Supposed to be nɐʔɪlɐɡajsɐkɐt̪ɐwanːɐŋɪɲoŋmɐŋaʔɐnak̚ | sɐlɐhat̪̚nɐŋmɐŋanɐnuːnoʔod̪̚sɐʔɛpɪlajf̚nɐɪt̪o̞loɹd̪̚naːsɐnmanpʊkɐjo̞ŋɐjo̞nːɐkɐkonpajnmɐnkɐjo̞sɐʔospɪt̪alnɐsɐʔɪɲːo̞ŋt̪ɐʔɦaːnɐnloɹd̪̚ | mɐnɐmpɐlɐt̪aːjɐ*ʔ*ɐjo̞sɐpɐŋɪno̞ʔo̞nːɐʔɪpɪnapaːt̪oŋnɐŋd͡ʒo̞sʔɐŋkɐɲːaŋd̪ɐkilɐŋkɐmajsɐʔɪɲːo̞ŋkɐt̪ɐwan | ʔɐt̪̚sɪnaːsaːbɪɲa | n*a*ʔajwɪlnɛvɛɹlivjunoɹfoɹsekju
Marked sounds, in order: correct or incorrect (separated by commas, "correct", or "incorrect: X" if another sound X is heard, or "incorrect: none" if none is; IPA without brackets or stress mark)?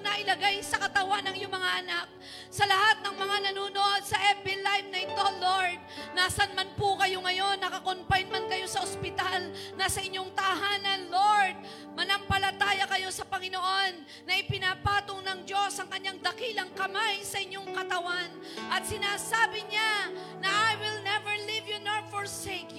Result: incorrect: k, incorrect: ɐ